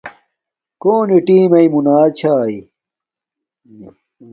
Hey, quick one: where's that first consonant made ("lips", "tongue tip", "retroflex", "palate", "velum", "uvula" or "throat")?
velum